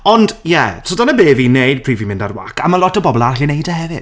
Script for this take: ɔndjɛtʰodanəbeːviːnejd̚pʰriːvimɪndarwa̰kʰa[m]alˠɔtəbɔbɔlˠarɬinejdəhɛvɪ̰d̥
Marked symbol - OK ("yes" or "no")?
yes